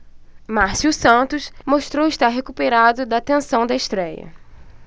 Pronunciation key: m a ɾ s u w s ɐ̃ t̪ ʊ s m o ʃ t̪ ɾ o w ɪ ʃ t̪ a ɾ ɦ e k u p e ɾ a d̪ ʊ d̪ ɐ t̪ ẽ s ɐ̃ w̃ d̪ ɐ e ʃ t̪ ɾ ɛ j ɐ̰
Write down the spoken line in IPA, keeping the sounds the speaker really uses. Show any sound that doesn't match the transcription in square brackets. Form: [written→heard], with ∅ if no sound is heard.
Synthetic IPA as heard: m a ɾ s u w s ɐ̃ t̪ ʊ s m o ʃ t̪ ɾ o w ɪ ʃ t̪ a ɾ ɦ e k u p e ɾ a d̪ ʊ d̪ ɐ t̪ ẽ s ɐ̃ w̃ d̪ ɐ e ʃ t̪ ɾ ɛ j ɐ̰

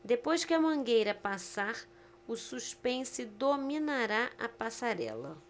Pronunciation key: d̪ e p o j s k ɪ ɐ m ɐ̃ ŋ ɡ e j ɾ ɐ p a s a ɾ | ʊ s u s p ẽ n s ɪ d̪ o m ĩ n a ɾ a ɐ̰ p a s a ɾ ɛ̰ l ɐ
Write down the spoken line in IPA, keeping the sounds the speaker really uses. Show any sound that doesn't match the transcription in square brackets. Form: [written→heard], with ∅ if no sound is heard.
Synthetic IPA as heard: d̪ e p o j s k ɪ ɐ m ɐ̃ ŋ ɡ e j ɾ ɐ p a s a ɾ | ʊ s u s p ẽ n s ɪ d̪ o m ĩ n a ɾ a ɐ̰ p a s a ɾ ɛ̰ l ɐ

